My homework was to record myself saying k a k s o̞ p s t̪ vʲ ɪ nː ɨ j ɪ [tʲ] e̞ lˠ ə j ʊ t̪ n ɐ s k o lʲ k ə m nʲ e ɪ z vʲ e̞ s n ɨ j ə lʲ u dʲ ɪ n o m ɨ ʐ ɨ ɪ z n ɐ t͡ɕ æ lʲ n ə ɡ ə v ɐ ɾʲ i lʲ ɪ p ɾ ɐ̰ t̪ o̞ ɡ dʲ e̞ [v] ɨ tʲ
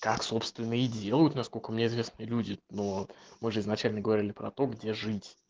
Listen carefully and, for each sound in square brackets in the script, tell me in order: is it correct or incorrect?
incorrect: dʲ, incorrect: ʐ

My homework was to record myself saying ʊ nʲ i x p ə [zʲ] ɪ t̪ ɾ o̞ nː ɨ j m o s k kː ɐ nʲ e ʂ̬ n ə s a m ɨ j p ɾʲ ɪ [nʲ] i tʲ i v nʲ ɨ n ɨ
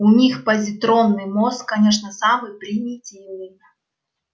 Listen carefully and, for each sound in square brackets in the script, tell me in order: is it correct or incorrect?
correct, correct

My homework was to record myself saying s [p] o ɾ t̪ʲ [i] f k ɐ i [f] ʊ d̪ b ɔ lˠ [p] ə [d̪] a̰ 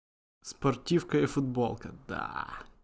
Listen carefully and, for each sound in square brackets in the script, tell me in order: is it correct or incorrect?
correct, correct, correct, incorrect: k, correct

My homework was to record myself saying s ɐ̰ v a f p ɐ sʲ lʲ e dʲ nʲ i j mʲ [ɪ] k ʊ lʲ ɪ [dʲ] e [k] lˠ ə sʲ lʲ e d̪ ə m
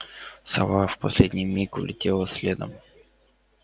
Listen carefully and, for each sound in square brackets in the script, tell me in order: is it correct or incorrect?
incorrect: i, incorrect: tʲ, incorrect: none

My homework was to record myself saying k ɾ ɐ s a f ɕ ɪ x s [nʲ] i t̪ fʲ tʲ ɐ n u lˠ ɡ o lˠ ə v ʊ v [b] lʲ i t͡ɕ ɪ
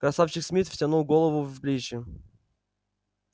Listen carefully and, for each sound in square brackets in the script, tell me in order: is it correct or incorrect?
incorrect: mʲ, correct

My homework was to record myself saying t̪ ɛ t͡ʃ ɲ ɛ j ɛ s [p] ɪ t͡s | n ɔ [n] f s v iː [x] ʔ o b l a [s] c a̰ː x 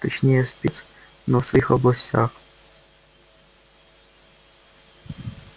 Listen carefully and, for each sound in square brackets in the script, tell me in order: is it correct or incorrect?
correct, incorrect: none, correct, correct

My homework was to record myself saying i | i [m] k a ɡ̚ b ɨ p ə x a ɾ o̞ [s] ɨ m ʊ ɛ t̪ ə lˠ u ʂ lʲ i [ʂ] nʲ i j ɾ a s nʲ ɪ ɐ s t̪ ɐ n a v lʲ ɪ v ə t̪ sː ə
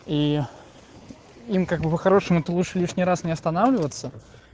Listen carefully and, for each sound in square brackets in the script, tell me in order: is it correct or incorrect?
correct, incorrect: ʂ, correct

